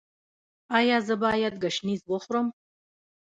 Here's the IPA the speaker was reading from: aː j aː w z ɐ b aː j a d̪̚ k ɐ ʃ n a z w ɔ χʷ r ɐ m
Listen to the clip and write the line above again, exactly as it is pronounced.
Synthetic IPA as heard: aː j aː z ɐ b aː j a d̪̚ ɡ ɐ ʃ n i z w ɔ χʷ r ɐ m

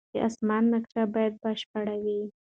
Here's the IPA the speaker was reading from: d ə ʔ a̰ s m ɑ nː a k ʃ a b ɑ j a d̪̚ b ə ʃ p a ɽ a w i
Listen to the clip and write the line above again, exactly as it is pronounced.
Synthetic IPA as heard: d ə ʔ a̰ s m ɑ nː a k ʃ a b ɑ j a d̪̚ b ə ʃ p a ɽ a w i

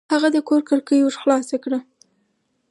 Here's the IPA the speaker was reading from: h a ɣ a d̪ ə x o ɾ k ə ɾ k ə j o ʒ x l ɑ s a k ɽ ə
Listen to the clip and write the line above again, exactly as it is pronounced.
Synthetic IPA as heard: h a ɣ a d̪ ə k o ɾ k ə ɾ k ə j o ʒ x l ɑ s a k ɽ ə

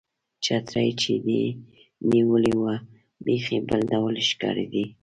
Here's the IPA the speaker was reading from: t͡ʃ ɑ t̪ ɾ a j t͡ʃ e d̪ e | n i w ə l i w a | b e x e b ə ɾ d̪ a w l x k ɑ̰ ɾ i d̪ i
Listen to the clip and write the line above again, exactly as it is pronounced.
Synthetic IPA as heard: t͡ʃ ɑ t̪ ɾ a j t͡ʃ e d̪ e | n i w ə l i w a | b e x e b ə l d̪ a w l ʃ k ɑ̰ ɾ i d̪ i

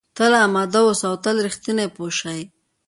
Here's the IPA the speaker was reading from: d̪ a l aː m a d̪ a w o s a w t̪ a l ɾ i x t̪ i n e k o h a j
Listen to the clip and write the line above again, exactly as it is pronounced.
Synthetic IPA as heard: t̪ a l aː m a d̪ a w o s a w t̪ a l ɾ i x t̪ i n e p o ʃ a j

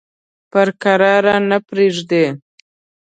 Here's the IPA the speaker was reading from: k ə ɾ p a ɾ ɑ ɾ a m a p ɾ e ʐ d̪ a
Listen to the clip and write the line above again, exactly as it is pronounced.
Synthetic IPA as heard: p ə ɾ k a ɾ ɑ ɾ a n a p ɾ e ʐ d̪ e

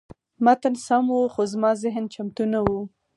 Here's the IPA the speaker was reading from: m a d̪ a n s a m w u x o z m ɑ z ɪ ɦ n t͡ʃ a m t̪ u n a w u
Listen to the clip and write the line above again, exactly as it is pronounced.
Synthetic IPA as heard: m a t̪ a n s a m w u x o z m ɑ z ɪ ɦ n t͡ʃ a m t̪ u n a w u

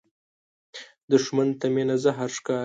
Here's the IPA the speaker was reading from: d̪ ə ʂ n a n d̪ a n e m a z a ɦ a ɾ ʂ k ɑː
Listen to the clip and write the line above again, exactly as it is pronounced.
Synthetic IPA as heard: d̪ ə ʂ m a n t̪ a m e n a z a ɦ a ɾ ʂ k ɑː

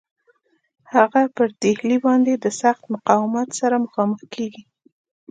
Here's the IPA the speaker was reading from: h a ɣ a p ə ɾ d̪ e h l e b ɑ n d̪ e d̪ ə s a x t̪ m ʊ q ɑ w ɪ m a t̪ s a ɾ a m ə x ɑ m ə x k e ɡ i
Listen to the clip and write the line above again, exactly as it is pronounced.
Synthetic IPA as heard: h a ɣ a p ə ɾ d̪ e h l i b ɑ n d̪ e d̪ ə s a x t̪ m ʊ q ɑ w ɪ m a t̪ s a ɾ a m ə x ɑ m ə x k e ɡ i

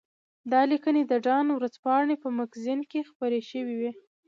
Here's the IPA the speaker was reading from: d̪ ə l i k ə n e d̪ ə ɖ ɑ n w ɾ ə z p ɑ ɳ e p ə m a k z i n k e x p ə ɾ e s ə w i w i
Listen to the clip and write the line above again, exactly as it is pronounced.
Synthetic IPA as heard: d̪ ɑ l i k ə n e d̪ ə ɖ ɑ n w ɾ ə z p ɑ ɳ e p ə m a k z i n k e x p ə ɾ e ʃ ə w i w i

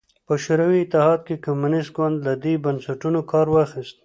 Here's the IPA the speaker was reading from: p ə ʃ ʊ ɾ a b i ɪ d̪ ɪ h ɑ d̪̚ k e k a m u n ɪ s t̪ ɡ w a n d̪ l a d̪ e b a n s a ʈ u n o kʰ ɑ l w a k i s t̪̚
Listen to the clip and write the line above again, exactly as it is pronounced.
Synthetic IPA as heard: p ə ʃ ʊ ɾ a w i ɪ t̪ ɪ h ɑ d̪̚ k e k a m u n ɪ s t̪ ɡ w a n d̪ l a d̪ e b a n s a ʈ u n o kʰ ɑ ɾ w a x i s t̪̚

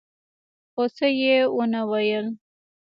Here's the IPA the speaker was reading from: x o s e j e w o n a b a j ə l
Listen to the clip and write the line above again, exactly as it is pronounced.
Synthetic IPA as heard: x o s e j e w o n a w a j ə l

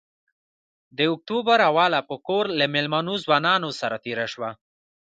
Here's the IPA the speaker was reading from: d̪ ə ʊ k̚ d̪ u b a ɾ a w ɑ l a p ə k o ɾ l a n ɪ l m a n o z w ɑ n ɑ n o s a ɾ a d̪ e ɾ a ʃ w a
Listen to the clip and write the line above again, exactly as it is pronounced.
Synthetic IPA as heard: d̪ ə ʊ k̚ t̪ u b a ɾ a w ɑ l a p ə k o ɾ l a m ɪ l m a n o z w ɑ n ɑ n o s a ɾ a t̪ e ɾ a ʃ w a

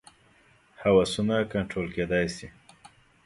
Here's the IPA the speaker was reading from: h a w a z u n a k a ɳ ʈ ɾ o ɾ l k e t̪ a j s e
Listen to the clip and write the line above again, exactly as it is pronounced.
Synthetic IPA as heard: h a w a s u n a k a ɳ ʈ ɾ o l k e d̪ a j s i

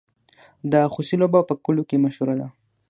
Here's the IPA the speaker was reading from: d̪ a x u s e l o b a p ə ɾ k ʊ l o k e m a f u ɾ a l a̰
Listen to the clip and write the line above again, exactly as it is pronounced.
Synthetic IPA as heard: d̪ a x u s i l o b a p ə k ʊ l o k e m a ʃ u ɾ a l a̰

